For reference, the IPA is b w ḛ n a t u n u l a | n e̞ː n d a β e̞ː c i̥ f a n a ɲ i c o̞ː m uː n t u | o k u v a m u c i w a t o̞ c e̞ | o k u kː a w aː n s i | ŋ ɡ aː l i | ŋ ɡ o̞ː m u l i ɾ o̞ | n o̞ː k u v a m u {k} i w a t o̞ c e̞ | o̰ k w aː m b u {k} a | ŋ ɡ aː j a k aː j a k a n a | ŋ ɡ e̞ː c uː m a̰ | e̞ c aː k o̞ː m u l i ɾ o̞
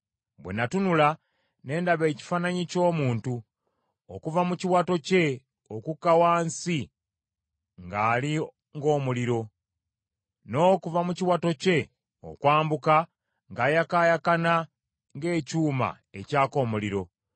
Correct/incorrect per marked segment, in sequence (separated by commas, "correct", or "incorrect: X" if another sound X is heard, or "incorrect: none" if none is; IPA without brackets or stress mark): incorrect: c, correct